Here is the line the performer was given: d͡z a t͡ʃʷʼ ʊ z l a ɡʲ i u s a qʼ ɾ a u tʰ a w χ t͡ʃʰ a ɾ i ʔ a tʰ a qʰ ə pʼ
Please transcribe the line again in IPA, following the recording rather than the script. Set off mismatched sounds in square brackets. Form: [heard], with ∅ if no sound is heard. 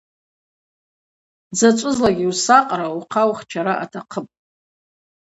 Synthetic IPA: d͡z a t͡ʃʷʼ ʊ z l a ɡʲ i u s a qʼ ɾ a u [qʰ] a w χ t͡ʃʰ a ɾ [a] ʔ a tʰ a qʰ ə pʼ